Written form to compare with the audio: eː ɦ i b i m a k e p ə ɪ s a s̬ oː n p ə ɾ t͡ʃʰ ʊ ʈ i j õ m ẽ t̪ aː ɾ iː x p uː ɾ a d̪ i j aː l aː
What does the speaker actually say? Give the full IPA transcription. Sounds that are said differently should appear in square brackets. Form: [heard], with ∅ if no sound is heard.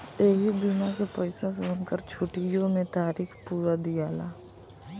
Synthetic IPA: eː ɦ i b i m a k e p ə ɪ s a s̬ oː n [k] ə ɾ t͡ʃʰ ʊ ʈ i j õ m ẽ t̪ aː ɾ iː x p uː ɾ a d̪ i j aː l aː

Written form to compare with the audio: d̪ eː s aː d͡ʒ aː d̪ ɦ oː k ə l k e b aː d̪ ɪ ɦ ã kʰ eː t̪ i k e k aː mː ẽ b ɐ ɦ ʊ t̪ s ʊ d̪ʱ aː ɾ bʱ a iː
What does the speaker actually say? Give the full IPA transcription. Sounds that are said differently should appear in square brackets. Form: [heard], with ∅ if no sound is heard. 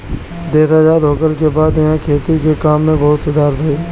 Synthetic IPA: d̪ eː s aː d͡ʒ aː d̪ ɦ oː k ə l k e b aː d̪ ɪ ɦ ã kʰ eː t̪ i k e k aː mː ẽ b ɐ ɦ ʊ t̪ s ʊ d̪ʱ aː ɾ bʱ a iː

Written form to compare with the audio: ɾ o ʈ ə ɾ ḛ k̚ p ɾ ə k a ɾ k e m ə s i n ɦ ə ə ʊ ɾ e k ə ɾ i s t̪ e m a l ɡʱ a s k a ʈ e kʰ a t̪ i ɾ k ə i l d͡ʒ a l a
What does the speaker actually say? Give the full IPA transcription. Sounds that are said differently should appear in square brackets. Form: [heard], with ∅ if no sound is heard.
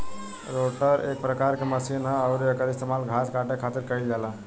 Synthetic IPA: ɾ o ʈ ə ɾ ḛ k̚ p ɾ ə k a ɾ k e m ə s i n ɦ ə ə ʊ ɾ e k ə ɾ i s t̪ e m a l ɡʱ a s k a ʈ e kʰ a t̪ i ɾ k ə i l d͡ʒ a l a

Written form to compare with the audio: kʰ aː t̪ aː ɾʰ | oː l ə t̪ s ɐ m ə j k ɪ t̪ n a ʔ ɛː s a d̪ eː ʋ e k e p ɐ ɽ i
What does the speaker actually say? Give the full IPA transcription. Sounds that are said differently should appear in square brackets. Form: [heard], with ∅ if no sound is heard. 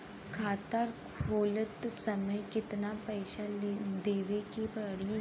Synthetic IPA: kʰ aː t̪ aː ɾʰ | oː l ə t̪ s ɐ m ə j k ɪ t̪ n a [p] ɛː [ʃ] a d̪ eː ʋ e k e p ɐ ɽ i

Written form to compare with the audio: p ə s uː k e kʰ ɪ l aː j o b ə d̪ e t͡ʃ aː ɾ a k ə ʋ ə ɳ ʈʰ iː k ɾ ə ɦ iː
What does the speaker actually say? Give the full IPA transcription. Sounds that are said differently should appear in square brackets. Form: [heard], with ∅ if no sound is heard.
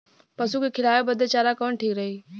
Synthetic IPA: p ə s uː k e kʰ ɪ l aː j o b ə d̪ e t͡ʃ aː ɾ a k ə ʋ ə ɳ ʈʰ iː k ɾ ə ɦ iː

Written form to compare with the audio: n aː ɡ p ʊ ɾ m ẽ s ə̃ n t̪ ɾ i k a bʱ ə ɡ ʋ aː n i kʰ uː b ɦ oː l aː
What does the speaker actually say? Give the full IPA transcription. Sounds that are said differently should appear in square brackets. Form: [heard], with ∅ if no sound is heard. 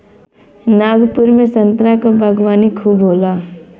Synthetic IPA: n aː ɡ p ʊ ɾ m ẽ s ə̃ n t̪ ɾ [a] k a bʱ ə ɡ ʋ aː n i kʰ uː b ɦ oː l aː

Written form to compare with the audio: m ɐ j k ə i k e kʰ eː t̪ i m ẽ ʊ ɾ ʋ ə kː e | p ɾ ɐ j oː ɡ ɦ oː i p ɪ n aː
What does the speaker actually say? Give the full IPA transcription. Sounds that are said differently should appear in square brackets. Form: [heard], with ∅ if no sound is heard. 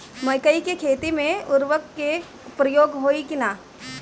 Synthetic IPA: m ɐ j k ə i k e kʰ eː t̪ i m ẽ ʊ ɾ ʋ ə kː e | p ɾ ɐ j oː ɡ ɦ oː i [k] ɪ n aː

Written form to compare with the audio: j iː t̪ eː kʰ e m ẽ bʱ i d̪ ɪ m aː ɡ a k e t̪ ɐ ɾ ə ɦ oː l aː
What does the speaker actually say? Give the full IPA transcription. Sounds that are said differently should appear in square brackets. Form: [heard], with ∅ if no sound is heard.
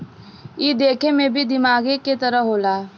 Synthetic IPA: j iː [d̪] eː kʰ e m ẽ bʱ i d̪ ɪ m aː ɡ [e] k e t̪ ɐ ɾ ə ɦ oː l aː

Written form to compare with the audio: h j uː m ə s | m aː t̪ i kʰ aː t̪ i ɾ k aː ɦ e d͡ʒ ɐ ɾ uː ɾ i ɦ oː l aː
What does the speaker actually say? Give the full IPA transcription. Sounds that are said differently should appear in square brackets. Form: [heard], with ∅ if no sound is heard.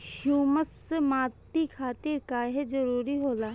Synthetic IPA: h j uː m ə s | m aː t̪ i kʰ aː t̪ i ɾ k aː ɦ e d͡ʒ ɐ ɾ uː ɾ i ɦ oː l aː

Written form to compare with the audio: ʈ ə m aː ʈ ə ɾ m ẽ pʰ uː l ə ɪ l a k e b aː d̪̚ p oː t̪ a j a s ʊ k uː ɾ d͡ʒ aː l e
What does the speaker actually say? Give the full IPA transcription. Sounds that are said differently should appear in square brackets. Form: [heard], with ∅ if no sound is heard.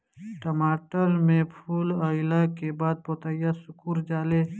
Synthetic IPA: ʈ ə m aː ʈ ə ɾ m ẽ pʰ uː l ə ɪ l a k e b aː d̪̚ p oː t̪ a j a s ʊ k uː ɾ d͡ʒ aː l e

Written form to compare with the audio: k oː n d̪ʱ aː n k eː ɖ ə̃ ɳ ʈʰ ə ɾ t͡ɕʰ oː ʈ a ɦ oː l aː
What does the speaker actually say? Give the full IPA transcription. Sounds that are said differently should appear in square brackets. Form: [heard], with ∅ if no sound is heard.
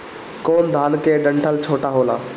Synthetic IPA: k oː n d̪ʱ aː n k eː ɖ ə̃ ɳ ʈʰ ə [l] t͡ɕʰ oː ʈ a ɦ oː l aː

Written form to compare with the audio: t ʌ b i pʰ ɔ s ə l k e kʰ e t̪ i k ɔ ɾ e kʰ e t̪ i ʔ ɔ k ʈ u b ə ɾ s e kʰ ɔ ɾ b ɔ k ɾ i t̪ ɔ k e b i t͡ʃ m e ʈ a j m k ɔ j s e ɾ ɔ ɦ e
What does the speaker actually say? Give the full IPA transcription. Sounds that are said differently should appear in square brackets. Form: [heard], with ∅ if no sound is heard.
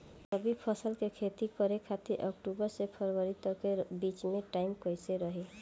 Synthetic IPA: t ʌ b i pʰ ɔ s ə l k e kʰ e t̪ i k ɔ ɾ e kʰ [a] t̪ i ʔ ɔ k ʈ u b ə ɾ s e [pʰ] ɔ ɾ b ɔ [∅] ɾ i t̪ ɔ k e b i t͡ʃ m e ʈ a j m k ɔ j s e ɾ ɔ ɦ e

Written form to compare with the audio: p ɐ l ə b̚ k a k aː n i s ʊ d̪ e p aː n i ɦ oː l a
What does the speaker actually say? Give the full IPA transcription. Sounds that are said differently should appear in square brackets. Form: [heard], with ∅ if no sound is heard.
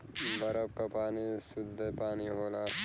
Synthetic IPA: [b] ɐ [ɾ] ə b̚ k a [p] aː n i s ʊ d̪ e p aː n i ɦ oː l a

